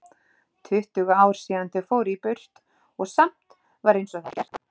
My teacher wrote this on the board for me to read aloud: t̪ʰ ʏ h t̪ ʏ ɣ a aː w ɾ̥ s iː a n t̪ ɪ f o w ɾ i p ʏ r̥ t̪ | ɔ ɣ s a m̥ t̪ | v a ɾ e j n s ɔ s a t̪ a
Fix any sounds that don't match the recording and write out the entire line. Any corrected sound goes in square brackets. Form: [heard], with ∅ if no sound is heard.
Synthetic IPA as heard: t̪ʰ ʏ h t̪ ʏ ɣ a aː w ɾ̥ s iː a n t̪ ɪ f o w ɾ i p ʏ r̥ t̪ | ɔ ɣ s a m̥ t̪ | v a ɾ e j n s ɔ [θ] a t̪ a